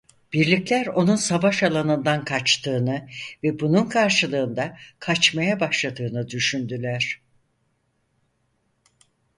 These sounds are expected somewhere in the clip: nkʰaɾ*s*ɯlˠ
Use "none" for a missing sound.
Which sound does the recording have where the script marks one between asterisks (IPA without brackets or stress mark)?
ʃ